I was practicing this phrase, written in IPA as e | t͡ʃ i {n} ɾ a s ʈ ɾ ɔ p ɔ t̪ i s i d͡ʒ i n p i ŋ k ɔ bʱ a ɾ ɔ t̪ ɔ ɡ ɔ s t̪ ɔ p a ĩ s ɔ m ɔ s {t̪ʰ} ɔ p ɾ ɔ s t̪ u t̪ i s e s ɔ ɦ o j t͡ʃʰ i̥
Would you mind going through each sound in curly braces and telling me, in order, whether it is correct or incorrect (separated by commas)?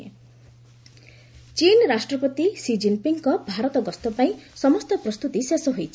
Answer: correct, incorrect